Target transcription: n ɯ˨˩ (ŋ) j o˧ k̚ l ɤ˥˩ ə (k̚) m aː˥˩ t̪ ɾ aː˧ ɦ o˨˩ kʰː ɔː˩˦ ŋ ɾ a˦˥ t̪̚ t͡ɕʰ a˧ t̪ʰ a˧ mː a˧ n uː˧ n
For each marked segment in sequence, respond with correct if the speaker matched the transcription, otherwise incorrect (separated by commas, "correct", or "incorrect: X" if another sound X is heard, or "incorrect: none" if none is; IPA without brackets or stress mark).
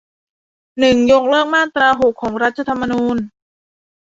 correct, correct